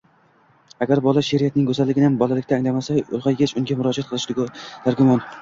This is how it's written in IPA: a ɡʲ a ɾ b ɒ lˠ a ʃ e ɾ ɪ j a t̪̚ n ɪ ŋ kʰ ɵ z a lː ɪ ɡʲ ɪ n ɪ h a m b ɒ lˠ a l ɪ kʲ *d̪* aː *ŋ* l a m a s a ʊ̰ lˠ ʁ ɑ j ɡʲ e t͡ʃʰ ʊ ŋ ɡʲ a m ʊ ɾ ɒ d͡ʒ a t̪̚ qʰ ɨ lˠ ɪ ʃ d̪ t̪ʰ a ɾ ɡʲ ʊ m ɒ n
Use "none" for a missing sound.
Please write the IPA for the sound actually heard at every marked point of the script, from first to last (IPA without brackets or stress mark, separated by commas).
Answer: t̪, ŋ